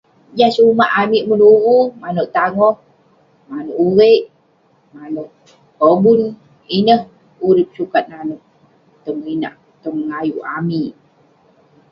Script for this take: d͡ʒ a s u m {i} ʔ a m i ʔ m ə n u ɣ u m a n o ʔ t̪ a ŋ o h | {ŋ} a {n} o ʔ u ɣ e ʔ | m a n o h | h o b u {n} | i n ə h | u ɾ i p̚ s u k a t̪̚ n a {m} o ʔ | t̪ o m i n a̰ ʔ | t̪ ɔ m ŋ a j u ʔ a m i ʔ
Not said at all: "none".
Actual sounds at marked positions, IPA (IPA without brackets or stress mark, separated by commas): a, m, n, n, n